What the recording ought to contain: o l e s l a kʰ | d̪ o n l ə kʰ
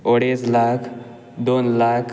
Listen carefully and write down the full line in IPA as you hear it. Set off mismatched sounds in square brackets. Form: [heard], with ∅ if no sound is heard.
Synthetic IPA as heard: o [ɽ] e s l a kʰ | d̪ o n l [a] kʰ